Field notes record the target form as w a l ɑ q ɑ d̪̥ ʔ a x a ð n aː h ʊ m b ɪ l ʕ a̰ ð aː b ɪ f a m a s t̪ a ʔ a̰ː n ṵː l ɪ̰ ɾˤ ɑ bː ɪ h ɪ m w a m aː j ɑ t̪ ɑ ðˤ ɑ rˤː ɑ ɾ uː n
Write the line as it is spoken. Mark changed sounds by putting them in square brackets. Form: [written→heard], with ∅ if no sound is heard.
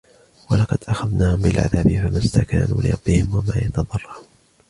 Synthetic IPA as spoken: w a l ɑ q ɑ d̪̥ ʔ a x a ð n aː h ʊ m b ɪ l ʕ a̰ ð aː b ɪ f a m a s t̪ a [ʔ→k] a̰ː n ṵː l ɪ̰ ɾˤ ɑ bː ɪ h ɪ m w a m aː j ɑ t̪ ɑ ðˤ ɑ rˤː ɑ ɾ uː n